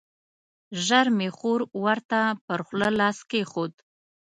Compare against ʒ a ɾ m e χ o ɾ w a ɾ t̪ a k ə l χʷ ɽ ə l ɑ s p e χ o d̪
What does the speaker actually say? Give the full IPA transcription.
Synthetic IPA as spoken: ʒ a ɾ m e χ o ɾ w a ɾ t̪ a p ə ɾ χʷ l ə l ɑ s k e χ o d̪